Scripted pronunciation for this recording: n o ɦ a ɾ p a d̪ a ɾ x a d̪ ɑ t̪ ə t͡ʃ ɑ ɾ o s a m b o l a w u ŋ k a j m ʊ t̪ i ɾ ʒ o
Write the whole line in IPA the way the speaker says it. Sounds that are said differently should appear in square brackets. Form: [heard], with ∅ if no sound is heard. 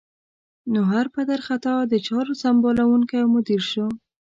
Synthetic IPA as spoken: n o ɦ a ɾ p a d̪ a ɾ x a [t̪] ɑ [d̪] ə t͡ʃ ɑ ɾ o s a m b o l a w u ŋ k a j m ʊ [d̪] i ɾ [ʃ] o